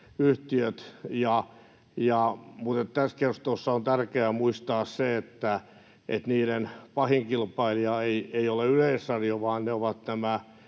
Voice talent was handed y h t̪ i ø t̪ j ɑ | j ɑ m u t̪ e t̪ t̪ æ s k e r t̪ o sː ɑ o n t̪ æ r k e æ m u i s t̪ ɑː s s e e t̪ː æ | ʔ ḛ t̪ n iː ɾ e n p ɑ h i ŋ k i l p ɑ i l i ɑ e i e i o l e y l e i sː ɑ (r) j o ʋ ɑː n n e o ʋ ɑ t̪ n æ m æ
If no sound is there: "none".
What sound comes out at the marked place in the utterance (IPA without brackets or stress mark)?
r